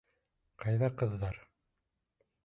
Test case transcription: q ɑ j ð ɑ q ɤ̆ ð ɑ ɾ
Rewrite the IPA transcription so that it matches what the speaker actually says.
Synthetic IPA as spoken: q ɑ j ð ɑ q ɤ̆ ðː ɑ ɾ